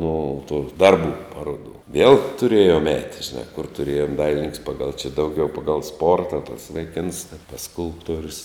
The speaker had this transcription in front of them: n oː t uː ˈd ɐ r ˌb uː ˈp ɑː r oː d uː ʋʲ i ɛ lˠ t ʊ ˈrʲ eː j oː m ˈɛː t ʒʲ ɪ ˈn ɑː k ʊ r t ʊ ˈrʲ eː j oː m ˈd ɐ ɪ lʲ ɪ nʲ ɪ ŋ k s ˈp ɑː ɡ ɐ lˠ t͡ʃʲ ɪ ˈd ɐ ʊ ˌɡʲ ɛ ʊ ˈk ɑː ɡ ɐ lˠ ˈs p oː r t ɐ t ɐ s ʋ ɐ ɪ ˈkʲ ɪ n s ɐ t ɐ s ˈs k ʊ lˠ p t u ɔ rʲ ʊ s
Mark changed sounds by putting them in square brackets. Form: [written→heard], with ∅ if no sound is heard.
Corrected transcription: n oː t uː ˈd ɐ r ˌb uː ˈp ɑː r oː d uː ʋʲ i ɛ lˠ t ʊ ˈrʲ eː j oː m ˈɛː t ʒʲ ɪ ˈn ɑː k ʊ r t ʊ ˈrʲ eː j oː m ˈd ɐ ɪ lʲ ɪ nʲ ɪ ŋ k s ˈp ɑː ɡ ɐ lˠ t͡ʃʲ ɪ ˈd ɐ ʊ ˌɡʲ ɛ ʊ [ˈk→ˈp] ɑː ɡ ɐ lˠ ˈs p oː r t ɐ t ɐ s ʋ ɐ ɪ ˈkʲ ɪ n s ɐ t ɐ s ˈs k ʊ lˠ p t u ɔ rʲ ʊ s